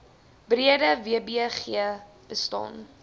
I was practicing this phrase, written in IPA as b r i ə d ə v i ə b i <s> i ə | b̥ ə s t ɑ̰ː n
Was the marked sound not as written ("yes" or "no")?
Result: yes